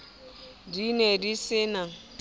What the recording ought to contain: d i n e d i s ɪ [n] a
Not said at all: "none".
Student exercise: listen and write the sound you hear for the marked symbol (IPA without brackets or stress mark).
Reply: n